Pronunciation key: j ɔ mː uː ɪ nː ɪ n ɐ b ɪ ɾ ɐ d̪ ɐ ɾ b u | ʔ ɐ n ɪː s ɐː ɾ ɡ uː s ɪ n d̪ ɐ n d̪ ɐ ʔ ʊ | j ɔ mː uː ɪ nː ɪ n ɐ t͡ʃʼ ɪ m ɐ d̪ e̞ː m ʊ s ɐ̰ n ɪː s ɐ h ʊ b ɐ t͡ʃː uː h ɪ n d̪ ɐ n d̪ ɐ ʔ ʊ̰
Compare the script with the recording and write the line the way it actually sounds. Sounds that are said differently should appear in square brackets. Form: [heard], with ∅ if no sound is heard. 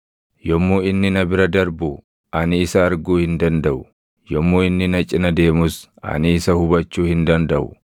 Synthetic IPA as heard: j ɔ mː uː ɪ nː ɪ n ɐ b ɪ ɾ ɐ d̪ ɐ ɾ b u | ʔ ɐ n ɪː s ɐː ɾ ɡ uː [h] ɪ n d̪ ɐ n d̪ ɐ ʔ ʊ | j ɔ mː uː ɪ nː ɪ n ɐ t͡ʃʼ ɪ [n] ɐ d̪ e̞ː m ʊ s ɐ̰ n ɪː s ɐ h ʊ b ɐ t͡ʃː uː h ɪ n d̪ ɐ n d̪ ɐ ʔ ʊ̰